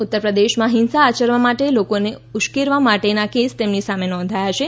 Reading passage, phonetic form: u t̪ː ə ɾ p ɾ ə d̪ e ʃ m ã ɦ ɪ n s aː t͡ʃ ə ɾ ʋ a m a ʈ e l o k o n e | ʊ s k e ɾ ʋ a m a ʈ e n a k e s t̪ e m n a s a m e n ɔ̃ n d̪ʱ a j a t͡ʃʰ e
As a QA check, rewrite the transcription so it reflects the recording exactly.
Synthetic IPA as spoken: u t̪ː ə ɾ p ɾ ə d̪ e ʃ m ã ɦ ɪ n s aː t͡ʃ ə ɾ ʋ a m a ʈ e l o k o n e | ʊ ʃ k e ɾ ʋ a m a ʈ e n a k e s t̪ e m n i s a m e n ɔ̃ n d̪ʱ a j a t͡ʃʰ e